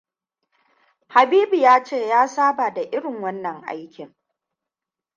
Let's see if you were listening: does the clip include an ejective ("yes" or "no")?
no